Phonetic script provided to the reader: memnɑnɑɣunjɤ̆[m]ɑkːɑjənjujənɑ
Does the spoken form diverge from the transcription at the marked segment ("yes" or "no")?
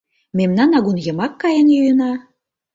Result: no